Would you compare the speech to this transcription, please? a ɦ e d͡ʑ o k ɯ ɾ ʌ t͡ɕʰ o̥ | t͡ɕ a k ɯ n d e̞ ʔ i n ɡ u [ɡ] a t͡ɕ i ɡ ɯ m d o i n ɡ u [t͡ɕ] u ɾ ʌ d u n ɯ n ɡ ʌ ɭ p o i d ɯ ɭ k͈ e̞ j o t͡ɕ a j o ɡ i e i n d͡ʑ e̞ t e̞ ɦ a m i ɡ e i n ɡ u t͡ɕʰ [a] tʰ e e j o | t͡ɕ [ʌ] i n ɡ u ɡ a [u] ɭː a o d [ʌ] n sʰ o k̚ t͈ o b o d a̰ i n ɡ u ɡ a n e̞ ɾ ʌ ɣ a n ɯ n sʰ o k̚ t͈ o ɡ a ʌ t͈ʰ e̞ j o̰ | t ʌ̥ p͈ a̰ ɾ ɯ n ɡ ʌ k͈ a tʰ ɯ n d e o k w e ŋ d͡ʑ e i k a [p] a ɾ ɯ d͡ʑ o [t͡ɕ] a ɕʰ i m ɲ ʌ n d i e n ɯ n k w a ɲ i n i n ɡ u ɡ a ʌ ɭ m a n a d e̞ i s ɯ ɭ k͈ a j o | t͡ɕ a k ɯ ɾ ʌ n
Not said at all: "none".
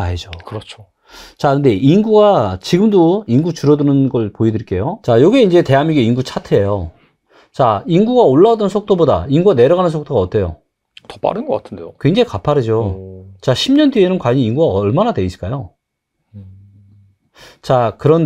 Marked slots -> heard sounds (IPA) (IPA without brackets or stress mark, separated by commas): ɡ, t͡ɕ, a, a, o, ʌ, pʰ, t͡ɕ